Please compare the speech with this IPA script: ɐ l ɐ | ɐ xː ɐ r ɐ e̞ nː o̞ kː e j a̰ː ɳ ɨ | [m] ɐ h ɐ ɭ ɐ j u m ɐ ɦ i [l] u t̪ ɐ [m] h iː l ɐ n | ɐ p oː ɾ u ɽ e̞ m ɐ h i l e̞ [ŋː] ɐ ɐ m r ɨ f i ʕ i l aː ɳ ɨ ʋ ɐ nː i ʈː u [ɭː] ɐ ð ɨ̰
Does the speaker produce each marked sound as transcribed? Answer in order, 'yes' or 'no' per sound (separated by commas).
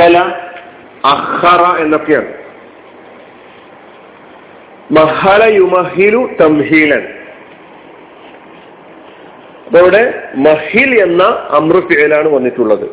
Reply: yes, yes, yes, no, yes